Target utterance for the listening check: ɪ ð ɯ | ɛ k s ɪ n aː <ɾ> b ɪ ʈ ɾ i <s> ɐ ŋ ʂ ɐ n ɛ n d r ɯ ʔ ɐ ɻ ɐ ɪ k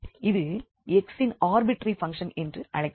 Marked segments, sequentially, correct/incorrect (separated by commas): correct, incorrect